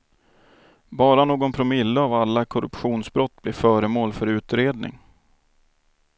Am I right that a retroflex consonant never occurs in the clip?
yes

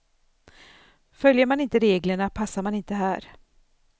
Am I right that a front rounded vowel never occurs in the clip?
no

